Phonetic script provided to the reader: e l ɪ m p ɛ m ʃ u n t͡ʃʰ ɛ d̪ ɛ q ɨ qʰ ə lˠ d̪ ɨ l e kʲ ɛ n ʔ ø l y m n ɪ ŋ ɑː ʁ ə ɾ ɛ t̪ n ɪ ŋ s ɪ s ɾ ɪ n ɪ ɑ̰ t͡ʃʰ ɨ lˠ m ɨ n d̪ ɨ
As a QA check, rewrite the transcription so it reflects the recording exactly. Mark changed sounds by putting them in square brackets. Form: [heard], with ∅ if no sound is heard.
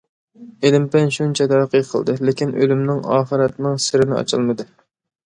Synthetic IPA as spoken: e l ɪ m p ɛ [n] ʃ u n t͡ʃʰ ɛ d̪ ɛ q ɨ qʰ ə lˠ d̪ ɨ l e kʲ [i] n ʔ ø l y m n ɪ ŋ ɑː [χ] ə ɾ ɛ t̪ n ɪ ŋ s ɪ [∅] ɾ ɪ n ɪ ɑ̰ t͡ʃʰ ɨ lˠ m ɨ [∅] d̪ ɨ